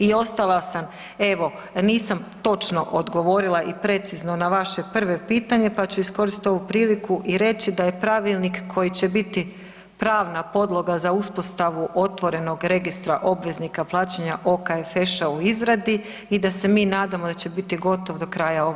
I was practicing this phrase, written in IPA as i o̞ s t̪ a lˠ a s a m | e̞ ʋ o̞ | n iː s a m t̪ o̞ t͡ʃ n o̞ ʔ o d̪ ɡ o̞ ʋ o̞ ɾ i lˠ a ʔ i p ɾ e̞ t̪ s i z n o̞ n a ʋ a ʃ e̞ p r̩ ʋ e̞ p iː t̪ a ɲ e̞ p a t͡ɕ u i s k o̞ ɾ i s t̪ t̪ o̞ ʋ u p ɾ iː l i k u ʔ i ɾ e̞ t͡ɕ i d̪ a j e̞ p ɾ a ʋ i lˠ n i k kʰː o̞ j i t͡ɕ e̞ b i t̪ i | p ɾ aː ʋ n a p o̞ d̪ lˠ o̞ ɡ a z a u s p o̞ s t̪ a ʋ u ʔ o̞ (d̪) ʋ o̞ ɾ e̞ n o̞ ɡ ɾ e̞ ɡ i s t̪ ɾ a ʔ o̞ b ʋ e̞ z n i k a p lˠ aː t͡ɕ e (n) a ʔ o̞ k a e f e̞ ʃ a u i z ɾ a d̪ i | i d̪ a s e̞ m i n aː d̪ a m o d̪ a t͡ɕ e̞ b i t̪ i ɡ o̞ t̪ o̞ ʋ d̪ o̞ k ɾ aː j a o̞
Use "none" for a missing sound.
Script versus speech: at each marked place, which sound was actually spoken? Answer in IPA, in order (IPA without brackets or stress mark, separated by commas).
t̪, ɲ